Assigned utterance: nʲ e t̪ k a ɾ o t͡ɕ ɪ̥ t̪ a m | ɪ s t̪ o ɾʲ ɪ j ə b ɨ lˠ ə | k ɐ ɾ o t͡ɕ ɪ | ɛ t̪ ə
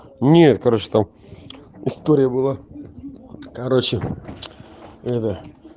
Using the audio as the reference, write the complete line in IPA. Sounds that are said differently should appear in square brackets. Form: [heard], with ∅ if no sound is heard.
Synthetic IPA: nʲ e t̪ k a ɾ o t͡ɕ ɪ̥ t̪ a m | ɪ s t̪ o ɾʲ ɪ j ə b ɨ lˠ [a] | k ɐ ɾ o t͡ɕ ɪ | ɛ t̪ ə